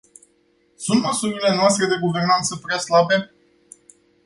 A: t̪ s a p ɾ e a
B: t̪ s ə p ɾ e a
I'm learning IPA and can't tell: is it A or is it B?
B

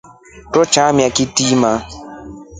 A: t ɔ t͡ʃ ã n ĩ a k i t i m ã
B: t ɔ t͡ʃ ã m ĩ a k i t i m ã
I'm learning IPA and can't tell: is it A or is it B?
B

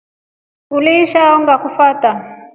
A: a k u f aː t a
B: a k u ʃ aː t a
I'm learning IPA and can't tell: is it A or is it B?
A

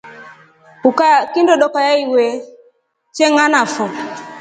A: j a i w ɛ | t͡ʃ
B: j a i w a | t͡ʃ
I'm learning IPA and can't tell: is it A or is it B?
A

